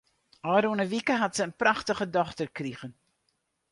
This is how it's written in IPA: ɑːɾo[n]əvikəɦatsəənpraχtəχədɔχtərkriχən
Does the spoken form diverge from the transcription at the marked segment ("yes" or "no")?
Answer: no